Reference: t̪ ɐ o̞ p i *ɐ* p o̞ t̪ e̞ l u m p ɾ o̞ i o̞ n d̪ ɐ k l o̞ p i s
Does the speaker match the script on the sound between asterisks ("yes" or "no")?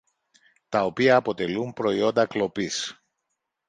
no